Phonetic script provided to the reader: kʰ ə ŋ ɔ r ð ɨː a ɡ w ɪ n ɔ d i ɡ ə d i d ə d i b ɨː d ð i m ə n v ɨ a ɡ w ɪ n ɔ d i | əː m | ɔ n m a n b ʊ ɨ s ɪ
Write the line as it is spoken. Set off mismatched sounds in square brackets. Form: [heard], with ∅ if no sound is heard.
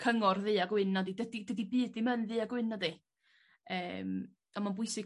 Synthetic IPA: kʰ ə ŋ ɔ r ð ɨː a ɡ w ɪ n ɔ d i [d] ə d i d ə d i b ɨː d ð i m ə n [ð] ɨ a ɡ w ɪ n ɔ d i | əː m | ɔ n m a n b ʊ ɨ s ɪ